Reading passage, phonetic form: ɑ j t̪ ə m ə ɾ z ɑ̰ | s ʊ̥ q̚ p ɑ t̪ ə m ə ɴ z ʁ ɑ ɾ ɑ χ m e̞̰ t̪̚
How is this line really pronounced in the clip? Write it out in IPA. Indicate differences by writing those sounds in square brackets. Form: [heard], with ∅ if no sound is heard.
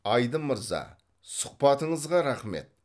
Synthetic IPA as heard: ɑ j [d̪] ə m ə ɾ z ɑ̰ | s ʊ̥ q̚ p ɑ t̪ ə [ɴ] ə [∅] z ʁ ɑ ɾ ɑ χ m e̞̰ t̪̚